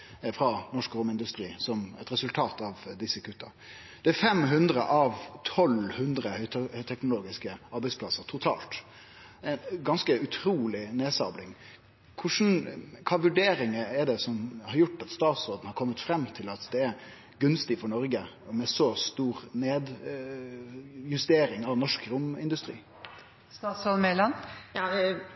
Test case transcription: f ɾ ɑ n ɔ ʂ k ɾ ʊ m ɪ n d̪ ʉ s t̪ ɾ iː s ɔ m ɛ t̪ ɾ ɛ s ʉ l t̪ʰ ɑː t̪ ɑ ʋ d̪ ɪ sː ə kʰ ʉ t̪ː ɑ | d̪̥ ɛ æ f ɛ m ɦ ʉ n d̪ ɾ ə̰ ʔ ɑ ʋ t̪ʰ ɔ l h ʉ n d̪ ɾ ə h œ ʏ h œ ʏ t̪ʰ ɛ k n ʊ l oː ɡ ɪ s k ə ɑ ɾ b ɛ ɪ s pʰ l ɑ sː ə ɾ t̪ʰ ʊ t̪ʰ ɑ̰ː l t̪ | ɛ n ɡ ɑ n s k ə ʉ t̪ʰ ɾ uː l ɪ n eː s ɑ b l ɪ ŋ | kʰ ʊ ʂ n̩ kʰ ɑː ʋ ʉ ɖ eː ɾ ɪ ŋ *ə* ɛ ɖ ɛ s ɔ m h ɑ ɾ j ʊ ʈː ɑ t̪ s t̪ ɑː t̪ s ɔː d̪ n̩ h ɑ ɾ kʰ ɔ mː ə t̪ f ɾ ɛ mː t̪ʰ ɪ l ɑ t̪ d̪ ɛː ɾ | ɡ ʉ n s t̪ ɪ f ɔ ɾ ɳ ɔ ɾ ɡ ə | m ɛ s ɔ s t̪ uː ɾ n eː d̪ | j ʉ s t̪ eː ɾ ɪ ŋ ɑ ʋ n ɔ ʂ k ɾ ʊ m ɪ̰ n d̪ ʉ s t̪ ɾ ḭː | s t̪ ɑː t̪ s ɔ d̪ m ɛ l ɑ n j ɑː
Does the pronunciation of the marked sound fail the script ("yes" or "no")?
no